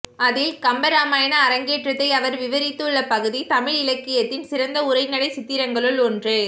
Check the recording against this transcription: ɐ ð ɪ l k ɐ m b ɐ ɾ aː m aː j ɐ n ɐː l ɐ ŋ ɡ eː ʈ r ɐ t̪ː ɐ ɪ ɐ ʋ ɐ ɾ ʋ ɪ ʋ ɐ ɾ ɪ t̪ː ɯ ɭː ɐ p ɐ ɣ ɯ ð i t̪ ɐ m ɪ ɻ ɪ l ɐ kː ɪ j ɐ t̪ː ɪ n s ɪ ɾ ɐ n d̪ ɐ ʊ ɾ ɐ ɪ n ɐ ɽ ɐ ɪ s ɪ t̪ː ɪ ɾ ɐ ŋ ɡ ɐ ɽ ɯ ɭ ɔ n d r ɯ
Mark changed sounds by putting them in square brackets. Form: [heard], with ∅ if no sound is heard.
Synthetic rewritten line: ɐ ð ɪ l k ɐ m b ɐ ɾ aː m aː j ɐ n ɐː [ɾ] ɐ ŋ ɡ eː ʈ r ɐ t̪ː ɐ ɪ ɐ ʋ ɐ ɾ ʋ ɪ ʋ ɐ ɾ ɪ t̪ː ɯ ɭː ɐ p ɐ ɣ ɯ ð i t̪ ɐ m ɪ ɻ ɪ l ɐ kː ɪ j ɐ t̪ː ɪ n s ɪ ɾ ɐ n d̪ ɐ ʊ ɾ ɐ ɪ n ɐ ɽ ɐ ɪ s ɪ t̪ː ɪ ɾ ɐ ŋ ɡ ɐ [ɭ] ɯ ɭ ɔ n d r ɯ